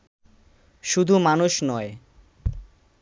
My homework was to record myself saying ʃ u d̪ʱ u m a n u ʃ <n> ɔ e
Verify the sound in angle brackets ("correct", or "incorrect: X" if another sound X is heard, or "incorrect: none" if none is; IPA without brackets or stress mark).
correct